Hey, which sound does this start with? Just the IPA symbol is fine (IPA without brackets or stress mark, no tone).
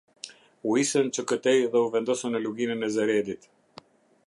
u